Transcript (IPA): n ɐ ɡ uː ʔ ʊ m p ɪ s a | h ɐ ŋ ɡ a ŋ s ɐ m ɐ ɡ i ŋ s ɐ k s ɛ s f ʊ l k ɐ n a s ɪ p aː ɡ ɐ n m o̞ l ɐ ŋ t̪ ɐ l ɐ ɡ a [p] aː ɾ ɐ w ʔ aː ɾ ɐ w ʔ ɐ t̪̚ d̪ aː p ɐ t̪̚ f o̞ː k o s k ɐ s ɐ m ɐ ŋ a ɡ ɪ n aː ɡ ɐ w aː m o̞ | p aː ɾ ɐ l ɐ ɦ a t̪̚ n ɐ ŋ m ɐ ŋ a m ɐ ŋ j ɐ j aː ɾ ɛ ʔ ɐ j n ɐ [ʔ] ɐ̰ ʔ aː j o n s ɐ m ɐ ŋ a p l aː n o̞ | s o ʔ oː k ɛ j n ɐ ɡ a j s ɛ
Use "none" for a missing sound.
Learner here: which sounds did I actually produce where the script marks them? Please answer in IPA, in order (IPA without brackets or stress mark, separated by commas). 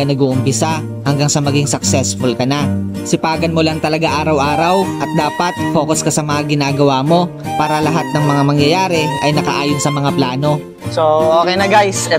ʔ, k